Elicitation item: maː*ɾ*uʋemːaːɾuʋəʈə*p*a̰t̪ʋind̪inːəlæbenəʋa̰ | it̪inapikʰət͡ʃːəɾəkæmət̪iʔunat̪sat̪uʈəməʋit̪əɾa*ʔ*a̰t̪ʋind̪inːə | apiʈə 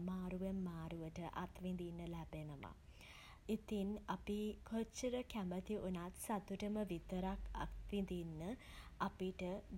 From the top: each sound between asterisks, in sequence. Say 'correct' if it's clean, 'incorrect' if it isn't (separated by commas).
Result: correct, incorrect, incorrect